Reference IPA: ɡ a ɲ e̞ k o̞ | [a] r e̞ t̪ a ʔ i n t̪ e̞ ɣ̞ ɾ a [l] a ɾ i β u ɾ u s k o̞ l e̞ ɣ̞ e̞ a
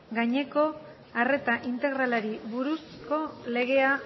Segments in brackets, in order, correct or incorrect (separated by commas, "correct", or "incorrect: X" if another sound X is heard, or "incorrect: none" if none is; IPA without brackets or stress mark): correct, correct